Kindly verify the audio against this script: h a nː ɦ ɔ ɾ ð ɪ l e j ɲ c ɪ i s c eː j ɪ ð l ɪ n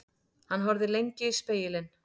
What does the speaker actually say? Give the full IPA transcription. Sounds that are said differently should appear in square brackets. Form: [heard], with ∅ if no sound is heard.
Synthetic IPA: h a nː ɦ ɔ ɾ ð ɪ l e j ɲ c ɪ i s [p] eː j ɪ [∅] l ɪ n